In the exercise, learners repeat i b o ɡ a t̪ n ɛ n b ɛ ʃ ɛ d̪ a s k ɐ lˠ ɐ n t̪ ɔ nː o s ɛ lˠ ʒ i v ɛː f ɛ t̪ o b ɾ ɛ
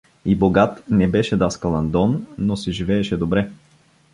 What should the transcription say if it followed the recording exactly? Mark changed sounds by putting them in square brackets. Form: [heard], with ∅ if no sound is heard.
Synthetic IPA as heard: i b o ɡ a t̪ n ɛ [∅] b ɛ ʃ ɛ d̪ a s k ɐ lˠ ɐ n [d̪] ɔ nː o s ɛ [∅] ʒ i v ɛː [ʃ] ɛ [d̪] o b ɾ ɛ